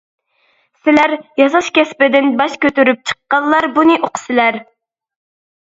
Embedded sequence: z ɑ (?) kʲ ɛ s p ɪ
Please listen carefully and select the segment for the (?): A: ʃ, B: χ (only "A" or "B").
A